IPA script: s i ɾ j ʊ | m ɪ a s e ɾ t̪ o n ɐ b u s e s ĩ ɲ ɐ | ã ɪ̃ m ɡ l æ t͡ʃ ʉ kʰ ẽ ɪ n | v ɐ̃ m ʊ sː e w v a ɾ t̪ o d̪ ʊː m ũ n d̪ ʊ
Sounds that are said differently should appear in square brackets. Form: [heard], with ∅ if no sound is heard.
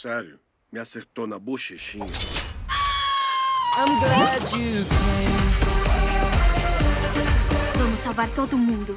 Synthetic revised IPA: s [ɛ] ɾ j ʊ | m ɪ a s e ɾ t̪ o n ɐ b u [ʃ] e [ʃ] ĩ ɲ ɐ | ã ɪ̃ m ɡ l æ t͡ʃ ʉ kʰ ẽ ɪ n | v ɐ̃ m ʊ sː [a] w v a ɾ t̪ o d̪ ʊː m ũ n d̪ ʊ